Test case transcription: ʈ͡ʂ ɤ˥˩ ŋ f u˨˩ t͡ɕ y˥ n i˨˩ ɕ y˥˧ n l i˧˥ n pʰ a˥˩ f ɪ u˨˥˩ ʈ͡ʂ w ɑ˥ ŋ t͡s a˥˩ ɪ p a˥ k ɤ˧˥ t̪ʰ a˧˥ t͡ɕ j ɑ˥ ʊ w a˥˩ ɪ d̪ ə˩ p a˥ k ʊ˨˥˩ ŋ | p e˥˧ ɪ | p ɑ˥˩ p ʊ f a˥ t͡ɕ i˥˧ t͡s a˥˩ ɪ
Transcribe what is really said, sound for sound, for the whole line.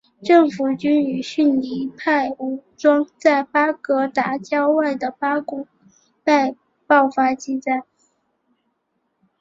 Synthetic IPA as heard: ʈ͡ʂ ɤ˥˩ ŋ f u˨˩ t͡ɕ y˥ n y˨˩ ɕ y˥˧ n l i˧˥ pʰ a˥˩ ɪ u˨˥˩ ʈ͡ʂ w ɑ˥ ŋ t͡s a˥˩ ɪ p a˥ k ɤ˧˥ t̪ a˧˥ t͡ɕ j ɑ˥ ʊ w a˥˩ ɪ d̪ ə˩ p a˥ k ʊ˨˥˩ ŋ | p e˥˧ ɪ | p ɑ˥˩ ʊ f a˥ t͡ɕ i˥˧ t͡s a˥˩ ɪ